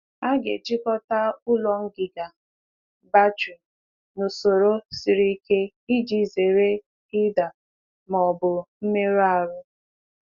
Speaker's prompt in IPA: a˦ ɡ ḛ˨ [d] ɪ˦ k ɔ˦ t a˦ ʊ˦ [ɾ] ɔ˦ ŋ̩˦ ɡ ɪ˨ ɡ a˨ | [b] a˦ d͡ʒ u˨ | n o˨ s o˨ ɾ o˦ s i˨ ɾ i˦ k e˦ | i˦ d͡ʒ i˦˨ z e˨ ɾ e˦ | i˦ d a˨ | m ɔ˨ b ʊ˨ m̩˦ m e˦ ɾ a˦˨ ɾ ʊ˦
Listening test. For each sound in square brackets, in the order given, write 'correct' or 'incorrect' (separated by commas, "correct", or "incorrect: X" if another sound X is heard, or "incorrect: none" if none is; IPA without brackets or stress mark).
incorrect: d͡ʒ, incorrect: l, correct